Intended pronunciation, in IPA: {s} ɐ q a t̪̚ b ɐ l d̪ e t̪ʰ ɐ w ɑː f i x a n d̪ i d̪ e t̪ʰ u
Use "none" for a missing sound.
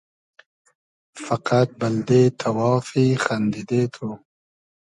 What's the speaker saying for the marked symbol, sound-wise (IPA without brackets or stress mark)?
f